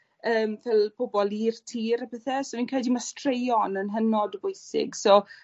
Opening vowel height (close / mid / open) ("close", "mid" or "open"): mid